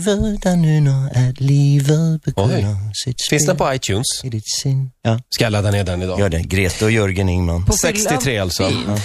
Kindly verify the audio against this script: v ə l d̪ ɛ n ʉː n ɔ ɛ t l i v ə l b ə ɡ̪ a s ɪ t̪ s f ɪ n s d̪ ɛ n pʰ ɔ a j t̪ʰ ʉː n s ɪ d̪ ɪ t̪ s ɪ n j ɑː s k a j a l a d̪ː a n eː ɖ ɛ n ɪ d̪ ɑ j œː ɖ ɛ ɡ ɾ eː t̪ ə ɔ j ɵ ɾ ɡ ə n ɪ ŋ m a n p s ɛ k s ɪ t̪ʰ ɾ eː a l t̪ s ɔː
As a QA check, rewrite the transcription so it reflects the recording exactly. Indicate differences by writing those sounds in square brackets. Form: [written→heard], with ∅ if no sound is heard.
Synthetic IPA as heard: v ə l d̪ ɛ n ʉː n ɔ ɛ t l i v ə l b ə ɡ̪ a s ɪ t̪ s f ɪ n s d̪ ɛ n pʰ ɔ a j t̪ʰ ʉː n s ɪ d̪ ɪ t̪ s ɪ n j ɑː s k a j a l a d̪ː a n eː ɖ ɛ n ɪ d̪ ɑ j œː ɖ ɛ ɡ ɾ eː t̪ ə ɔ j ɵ ɾ ɡ ə n ɪ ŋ m a n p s ɛ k s ɪ t̪ʰ ɾ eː a l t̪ s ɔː